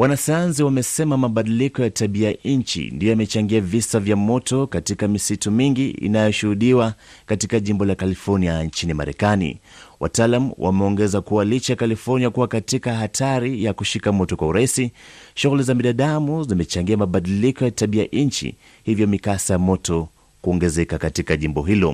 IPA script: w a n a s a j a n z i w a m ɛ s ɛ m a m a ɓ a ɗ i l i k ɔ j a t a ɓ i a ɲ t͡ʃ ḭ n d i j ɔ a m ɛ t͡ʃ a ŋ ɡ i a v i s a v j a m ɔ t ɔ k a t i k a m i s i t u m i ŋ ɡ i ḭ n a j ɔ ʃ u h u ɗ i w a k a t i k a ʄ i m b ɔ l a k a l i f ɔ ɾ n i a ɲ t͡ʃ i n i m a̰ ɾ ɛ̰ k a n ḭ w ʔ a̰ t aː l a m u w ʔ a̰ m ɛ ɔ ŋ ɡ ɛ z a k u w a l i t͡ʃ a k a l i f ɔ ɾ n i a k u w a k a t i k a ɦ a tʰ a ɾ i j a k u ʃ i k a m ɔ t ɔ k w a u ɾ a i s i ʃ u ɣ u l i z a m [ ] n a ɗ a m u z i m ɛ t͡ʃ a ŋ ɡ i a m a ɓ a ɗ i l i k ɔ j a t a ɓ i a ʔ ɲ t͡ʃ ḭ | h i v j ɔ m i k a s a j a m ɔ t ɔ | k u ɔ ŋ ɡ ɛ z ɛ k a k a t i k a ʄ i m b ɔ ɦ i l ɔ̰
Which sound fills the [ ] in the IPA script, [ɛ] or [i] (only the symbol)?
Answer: i